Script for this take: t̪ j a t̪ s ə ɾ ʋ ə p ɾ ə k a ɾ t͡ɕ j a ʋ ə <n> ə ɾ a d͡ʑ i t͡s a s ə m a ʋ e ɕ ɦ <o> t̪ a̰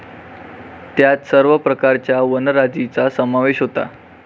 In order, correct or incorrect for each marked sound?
correct, correct

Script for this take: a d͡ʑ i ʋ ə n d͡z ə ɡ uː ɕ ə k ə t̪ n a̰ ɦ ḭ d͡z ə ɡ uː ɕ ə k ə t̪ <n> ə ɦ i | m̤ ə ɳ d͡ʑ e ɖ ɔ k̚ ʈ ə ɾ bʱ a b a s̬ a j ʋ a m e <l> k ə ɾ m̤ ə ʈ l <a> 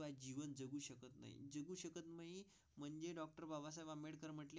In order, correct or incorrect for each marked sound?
incorrect: m, incorrect: ɽ, incorrect: e

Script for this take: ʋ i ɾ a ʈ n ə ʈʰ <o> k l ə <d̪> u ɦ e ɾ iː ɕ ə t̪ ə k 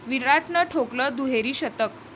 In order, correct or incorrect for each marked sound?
correct, correct

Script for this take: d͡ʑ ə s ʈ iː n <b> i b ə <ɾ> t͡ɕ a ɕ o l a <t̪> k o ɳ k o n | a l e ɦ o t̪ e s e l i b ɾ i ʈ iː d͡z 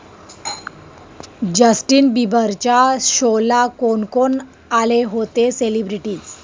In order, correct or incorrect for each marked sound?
correct, correct, incorrect: none

